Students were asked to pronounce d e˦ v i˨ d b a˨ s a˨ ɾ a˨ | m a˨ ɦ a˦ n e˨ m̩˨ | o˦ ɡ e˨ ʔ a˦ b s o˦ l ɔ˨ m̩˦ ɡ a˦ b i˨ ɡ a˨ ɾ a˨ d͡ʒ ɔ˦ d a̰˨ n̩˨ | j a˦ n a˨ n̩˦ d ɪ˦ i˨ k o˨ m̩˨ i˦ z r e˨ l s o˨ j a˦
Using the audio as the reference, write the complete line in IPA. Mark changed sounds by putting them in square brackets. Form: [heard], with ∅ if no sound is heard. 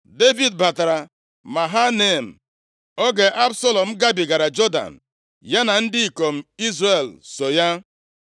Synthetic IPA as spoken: d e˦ v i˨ d b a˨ [t] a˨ ɾ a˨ | m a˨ ɦ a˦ n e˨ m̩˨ | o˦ ɡ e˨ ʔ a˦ b s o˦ l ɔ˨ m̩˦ ɡ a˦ b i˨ ɡ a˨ ɾ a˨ d͡ʒ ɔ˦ d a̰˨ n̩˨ | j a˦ n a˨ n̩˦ d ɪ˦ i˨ k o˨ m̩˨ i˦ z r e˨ l s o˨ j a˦